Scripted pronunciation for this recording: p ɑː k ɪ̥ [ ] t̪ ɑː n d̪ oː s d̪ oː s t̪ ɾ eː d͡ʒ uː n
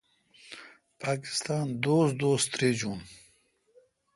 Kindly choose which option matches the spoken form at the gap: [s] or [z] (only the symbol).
s